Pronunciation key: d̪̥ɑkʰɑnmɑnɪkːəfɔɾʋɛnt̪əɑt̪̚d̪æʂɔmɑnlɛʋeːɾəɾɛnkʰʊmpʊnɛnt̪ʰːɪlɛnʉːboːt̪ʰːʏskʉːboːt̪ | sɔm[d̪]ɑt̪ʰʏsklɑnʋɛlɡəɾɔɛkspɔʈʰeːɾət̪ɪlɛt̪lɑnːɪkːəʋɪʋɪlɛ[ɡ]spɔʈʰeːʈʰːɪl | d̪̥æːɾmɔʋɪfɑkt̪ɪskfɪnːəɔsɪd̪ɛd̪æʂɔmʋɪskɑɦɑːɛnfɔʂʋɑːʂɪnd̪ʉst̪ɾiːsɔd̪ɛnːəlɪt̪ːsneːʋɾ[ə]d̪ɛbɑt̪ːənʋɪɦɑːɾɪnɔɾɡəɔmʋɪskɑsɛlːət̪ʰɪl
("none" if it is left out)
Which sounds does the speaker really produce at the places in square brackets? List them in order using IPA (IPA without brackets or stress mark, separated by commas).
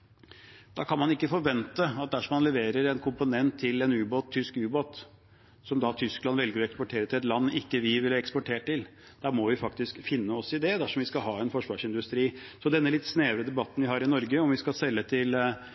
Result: d̪, k, ə